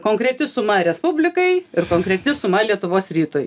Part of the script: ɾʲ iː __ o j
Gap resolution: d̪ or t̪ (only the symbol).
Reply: t̪